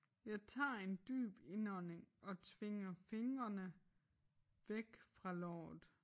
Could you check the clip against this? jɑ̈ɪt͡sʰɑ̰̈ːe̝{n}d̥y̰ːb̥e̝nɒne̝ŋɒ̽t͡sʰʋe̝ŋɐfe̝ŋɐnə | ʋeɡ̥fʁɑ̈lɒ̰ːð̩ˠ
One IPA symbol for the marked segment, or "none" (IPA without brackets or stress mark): n